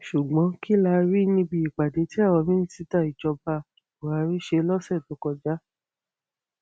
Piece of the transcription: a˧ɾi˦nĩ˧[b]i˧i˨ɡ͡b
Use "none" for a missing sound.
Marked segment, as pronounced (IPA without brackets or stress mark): b